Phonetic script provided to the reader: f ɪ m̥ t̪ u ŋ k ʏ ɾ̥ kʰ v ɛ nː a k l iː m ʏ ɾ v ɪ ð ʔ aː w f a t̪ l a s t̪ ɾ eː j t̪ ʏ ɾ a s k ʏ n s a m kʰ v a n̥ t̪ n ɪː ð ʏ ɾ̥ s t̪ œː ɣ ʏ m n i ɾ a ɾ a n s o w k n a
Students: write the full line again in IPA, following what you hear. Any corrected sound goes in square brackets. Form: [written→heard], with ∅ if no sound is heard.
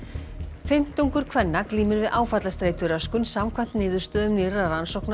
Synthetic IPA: f ɪ m̥ t̪ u ŋ k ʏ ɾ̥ kʰ v ɛ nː a k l iː m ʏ ɾ v ɪ ð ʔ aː w f a t̪ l a s t̪ ɾ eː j t̪ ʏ ɾ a s k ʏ n s a m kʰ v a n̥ t̪ n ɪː ð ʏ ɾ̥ s t̪ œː [ɣ→ð] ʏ m n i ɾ a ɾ a n s o w k n a